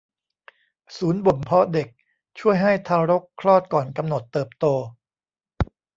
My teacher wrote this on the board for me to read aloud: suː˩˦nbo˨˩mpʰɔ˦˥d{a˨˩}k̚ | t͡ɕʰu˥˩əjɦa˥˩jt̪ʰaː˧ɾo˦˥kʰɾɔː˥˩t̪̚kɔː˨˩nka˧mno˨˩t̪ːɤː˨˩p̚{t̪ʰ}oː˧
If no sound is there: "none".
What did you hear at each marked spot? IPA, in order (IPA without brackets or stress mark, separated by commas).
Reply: e˨˩, t̪